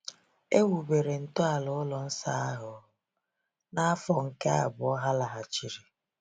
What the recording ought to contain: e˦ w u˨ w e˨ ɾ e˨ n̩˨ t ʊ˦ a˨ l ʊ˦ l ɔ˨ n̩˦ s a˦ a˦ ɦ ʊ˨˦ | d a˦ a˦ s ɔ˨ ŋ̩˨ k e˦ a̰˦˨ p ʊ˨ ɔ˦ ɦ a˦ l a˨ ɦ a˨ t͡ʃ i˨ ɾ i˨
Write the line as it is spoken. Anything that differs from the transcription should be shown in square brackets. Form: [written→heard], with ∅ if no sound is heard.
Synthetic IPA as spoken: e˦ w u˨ [w→b] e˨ ɾ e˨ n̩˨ t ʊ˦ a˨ l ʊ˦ l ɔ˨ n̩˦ s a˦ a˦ ɦ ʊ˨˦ | [d→n] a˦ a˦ [s→f] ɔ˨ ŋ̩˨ k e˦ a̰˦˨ [p→b] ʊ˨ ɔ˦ ɦ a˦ l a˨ ɦ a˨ t͡ʃ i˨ ɾ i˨